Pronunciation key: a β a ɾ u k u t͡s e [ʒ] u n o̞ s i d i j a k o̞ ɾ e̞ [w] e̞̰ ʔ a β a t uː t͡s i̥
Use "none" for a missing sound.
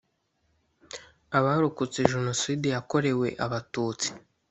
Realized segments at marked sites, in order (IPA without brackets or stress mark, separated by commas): ʒ, w